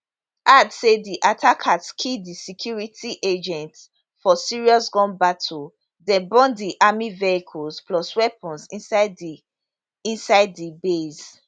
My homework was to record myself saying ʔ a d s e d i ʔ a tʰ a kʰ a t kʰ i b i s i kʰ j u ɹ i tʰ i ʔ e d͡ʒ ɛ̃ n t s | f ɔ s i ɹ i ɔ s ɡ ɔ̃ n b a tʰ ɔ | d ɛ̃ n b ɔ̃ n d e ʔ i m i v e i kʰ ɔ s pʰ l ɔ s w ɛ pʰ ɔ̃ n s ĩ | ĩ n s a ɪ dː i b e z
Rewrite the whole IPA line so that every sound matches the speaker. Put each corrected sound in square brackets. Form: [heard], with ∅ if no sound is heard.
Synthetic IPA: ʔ a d s e d i ʔ a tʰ a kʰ a t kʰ i [d] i s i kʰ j u ɹ i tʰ i ʔ e d͡ʒ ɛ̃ n t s | f ɔ s i ɹ i ɔ s ɡ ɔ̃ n b a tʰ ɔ | d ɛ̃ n b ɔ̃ n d [i] ʔ [a] m i v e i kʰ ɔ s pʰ l ɔ s w ɛ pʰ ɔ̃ n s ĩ | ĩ n s a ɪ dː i b e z